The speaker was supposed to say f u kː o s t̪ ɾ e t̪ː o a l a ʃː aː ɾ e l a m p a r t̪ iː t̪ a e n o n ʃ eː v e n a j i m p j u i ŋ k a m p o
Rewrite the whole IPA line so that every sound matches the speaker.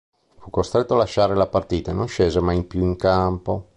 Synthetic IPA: f u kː o s t̪ ɾ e t̪ː o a l a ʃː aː ɾ e l a p a r t̪ iː t̪ a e n o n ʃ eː z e m a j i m p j u i ŋ k a m p o